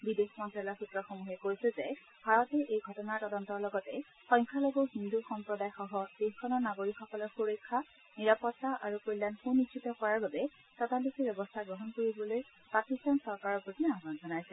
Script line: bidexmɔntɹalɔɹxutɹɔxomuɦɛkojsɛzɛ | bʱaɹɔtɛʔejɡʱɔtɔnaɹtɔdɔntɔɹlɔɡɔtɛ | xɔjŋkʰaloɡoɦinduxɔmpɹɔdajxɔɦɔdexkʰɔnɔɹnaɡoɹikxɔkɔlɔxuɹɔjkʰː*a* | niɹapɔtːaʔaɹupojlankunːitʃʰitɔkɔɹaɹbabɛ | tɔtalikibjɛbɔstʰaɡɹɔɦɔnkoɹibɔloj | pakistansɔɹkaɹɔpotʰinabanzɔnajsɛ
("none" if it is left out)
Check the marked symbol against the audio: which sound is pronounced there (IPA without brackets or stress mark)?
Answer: a